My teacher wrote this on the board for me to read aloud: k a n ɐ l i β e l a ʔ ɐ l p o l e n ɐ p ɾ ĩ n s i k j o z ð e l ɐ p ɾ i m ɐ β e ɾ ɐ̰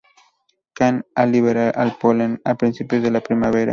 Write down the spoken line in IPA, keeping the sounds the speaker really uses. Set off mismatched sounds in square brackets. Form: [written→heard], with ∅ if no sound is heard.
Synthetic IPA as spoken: k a n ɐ l i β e [l→ɾ] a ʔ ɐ l p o l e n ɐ p ɾ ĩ n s i [k→p] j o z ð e l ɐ p ɾ i m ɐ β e ɾ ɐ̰